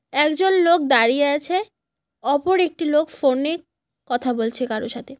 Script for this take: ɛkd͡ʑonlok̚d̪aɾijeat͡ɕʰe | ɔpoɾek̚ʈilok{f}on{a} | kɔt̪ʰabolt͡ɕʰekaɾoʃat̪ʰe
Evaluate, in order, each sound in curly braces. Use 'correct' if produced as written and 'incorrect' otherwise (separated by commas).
correct, incorrect